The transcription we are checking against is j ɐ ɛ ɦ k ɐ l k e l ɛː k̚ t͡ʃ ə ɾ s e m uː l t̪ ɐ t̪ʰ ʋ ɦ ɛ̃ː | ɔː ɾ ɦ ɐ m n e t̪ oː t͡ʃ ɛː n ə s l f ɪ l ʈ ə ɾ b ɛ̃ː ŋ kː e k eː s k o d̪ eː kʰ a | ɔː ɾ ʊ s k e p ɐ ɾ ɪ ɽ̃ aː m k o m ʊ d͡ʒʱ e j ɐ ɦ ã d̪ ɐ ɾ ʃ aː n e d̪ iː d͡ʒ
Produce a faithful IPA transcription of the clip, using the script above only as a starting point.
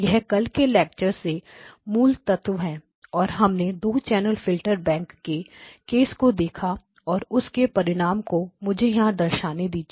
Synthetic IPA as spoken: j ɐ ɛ ɦ k ɐ l k e l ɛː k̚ t͡ʃ ə ɾ s e m uː l t̪ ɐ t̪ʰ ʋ ɦ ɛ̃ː | ɔː ɾ ɦ ɐ m n e d̪ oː t͡ʃ ɛː n ə l f ɪ l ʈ ə ɾ b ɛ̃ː ŋ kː e k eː s k o d̪ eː kʰ a | ɔː ɾ ʊ s k e p ɐ ɾ ɪ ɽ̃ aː m k o m ʊ d͡ʒʱ e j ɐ ɦ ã d̪ ɐ ɾ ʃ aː n e d̪ iː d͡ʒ